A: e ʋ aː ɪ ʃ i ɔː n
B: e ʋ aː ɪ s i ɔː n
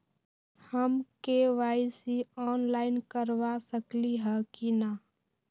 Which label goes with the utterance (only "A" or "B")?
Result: B